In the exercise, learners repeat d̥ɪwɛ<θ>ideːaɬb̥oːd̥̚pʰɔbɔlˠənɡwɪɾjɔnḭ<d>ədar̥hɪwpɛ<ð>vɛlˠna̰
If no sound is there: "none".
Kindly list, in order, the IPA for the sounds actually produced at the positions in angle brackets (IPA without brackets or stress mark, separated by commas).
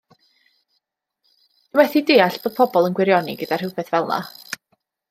θ, ɡ, θ